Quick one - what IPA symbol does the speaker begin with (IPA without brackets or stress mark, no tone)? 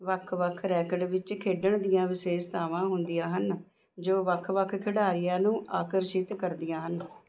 ʋ